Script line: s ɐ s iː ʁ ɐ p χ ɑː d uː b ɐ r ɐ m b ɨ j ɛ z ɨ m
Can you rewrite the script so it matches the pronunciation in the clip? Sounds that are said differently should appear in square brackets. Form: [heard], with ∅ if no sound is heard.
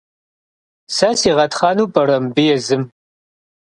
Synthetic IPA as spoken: s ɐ s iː ʁ ɐ [t] χ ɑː [n] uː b ɐ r ɐ m b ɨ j ɛ z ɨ m